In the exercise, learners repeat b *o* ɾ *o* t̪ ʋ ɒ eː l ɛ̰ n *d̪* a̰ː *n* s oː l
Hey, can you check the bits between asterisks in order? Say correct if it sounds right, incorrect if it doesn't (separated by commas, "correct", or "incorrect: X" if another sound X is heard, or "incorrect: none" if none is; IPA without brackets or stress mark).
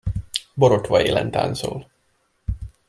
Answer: correct, correct, incorrect: t̪, correct